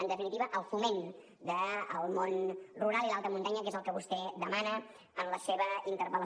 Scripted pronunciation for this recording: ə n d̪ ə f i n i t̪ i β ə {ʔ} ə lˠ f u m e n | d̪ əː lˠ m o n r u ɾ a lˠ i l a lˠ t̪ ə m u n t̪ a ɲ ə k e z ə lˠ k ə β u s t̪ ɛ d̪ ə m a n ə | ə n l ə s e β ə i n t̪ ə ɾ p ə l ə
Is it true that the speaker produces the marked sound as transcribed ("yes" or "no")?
yes